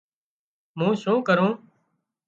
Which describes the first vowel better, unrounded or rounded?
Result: rounded